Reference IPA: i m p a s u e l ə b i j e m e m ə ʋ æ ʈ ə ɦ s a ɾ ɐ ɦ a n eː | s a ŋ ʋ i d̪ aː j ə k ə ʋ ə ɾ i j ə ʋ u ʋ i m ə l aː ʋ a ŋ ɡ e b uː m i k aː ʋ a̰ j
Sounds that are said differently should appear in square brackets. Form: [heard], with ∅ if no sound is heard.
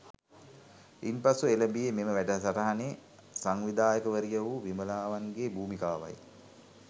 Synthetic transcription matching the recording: i m p a s u e l ə b i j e m e m ə ʋ æ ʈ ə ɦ s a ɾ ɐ ɦ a n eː | s a ŋ ʋ i d̪ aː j ə k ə ʋ ə ɾ i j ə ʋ u ʋ i m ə l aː ʋ a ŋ ɡ e b uː m i k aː ʋ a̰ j